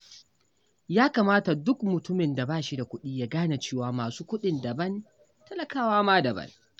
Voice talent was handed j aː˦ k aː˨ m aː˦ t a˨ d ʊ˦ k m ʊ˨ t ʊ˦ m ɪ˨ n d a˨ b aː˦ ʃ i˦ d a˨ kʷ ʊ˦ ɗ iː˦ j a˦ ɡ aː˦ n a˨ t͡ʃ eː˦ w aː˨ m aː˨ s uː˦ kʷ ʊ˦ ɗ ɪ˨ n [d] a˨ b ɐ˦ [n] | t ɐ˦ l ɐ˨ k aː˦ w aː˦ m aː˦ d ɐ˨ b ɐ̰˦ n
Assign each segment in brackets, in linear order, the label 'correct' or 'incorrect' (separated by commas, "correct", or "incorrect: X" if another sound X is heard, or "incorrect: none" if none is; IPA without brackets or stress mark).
correct, correct